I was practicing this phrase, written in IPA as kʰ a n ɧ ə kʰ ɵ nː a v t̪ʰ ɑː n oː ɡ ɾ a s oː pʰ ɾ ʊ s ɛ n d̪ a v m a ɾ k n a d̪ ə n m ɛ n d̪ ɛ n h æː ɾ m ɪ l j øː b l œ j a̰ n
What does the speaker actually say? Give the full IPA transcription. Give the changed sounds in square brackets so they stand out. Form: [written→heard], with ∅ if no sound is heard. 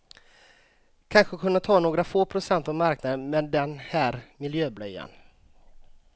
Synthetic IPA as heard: kʰ a n ɧ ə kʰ ɵ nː a [v→∅] t̪ʰ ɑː n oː ɡ ɾ a [s→f] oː pʰ ɾ ʊ s ɛ n [d̪→t̪] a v m a ɾ k n a d̪ ə n m ɛ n d̪ ɛ n h æː ɾ m ɪ l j øː b l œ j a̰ n